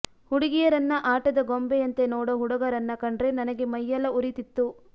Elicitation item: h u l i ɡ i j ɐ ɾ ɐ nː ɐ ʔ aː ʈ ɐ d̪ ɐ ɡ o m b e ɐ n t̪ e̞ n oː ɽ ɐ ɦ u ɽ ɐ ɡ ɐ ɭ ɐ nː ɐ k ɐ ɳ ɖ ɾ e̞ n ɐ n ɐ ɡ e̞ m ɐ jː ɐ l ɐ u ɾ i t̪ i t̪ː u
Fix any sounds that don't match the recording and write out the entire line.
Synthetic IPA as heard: h u ɽ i ɡ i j ɐ ɾ ɐ nː ɐ ʔ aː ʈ ɐ d̪ ɐ ɡ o m b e ɐ n t̪ e̞ n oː ɽ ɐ ɦ u ɽ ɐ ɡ ɐ ɾ ɐ nː ɐ k ɐ ɳ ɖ ɾ e̞ n ɐ n ɐ ɡ e̞ m ɐ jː ɐ l ɐ u ɾ i t̪ i t̪ː u